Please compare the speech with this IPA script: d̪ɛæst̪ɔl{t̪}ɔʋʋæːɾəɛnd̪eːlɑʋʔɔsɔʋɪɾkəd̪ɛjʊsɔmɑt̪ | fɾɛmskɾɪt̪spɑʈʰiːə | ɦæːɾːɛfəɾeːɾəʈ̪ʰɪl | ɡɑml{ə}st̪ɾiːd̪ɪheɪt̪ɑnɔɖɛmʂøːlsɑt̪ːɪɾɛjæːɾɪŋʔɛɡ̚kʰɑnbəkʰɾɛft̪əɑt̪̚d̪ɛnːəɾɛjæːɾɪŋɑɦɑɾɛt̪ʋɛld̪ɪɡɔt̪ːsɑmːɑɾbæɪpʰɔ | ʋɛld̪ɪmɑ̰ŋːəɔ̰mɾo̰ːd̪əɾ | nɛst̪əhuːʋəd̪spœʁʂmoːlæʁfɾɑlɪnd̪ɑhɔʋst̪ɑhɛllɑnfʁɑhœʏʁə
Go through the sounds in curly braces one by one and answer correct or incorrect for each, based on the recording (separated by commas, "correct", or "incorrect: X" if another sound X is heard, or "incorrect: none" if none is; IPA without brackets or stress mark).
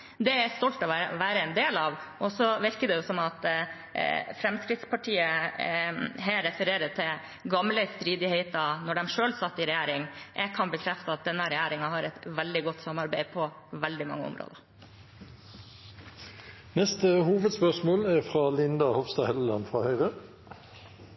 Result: correct, correct